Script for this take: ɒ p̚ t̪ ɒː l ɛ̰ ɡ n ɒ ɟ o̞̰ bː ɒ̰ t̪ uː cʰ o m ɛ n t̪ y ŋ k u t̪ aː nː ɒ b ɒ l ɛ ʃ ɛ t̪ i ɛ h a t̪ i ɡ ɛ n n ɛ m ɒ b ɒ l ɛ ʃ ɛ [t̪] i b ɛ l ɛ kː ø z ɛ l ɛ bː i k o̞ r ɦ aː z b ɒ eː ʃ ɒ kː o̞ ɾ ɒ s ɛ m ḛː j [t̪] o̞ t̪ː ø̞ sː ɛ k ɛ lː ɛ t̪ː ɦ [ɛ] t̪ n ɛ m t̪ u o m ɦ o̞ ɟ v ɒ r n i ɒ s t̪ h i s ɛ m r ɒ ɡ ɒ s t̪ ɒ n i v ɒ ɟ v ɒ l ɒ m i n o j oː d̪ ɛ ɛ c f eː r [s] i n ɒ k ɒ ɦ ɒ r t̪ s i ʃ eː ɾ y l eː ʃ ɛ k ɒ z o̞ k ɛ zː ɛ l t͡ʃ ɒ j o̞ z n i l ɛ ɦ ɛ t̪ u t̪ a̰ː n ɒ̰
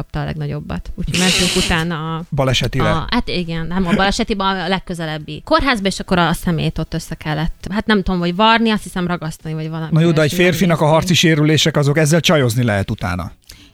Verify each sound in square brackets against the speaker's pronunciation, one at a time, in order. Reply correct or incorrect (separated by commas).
correct, correct, incorrect, incorrect